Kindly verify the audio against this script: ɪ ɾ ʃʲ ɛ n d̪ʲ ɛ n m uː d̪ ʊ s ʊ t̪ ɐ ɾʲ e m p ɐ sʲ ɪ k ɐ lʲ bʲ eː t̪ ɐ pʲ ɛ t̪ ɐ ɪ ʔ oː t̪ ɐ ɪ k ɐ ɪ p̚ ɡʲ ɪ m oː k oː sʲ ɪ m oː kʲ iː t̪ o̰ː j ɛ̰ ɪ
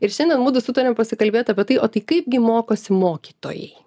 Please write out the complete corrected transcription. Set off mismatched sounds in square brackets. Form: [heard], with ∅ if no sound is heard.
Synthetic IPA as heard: ɪ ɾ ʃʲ ɛ n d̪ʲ ɛ n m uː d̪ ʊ s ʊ t̪ ɐ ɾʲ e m p ɐ sʲ ɪ k ɐ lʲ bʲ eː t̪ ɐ pʲ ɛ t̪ ɐ ɪ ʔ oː t̪ ɐ ɪ k ɐ ɪ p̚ ɡʲ ɪ m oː k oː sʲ ɪ m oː kʲ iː t̪ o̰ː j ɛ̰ ɪ